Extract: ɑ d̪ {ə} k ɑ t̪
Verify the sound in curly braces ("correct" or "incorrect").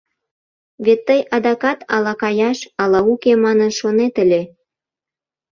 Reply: incorrect